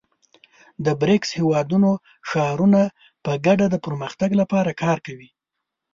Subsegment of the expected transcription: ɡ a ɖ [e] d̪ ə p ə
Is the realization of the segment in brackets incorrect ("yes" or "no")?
yes